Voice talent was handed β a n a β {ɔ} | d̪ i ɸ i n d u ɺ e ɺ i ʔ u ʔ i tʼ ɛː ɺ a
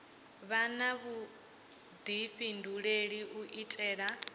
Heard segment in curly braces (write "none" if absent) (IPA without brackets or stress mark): u